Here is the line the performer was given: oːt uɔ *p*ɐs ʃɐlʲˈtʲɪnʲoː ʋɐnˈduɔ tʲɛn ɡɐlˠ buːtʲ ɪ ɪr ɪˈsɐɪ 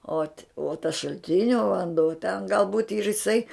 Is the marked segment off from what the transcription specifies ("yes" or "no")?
yes